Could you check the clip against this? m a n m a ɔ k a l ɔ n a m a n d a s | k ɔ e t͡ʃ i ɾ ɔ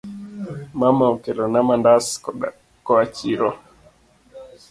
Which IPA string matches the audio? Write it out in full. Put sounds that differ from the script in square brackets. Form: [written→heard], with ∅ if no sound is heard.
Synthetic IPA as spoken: m a [n→∅] m a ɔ k [a→ɛ] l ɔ n a m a n d a s | k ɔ [e→a] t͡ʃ i ɾ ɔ